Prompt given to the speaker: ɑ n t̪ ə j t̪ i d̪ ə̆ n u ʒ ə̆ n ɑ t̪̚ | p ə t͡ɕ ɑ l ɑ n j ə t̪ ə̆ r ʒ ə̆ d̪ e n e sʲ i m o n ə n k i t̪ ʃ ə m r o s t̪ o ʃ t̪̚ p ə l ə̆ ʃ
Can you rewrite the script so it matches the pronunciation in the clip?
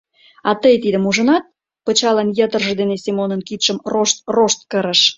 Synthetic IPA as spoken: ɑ t̪ ə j t̪ i d̪ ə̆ m u ʒ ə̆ n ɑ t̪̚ | p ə t͡ɕ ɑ l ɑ n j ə t̪ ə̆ r ʒ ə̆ d̪ e n e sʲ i m o n ə n k i t̪ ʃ ə m r o ʃ t̪ o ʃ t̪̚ k ə ɾ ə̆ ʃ